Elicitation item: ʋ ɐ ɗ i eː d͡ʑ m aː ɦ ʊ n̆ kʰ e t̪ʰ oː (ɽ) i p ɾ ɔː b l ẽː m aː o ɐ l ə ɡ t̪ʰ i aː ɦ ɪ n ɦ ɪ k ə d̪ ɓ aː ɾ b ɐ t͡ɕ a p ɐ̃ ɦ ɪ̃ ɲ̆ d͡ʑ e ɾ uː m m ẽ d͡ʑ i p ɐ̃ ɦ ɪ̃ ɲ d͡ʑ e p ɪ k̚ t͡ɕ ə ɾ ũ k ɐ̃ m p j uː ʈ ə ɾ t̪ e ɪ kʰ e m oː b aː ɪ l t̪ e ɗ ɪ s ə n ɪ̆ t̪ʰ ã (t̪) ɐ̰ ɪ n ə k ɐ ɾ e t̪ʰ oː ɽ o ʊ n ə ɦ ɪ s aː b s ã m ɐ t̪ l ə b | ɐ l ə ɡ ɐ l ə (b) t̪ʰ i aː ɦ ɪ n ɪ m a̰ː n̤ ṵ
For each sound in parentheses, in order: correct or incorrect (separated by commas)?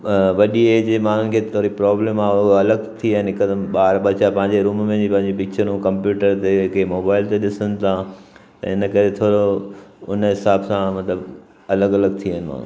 incorrect, correct, incorrect